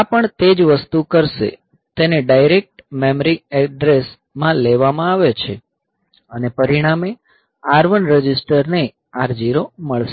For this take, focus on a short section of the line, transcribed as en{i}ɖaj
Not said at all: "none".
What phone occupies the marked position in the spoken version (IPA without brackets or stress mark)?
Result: e